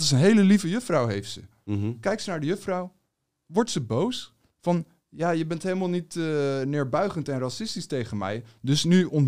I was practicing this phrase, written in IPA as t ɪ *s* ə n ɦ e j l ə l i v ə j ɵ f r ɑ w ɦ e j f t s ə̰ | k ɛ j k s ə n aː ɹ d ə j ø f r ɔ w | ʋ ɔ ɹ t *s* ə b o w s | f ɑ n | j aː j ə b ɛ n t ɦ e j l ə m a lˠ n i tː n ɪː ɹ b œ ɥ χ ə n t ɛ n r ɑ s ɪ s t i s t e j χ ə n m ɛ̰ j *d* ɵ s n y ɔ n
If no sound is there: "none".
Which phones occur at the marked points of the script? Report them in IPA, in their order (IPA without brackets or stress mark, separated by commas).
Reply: s, s, d